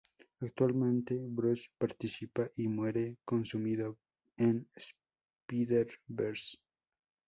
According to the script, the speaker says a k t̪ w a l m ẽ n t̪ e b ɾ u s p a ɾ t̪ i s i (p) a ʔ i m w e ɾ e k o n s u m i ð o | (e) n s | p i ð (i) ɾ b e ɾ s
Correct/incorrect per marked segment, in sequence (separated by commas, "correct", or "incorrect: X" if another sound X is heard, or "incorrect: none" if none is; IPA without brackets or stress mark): correct, correct, incorrect: e